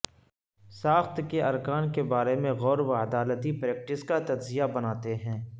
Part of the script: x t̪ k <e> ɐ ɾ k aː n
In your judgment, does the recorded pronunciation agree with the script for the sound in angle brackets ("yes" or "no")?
yes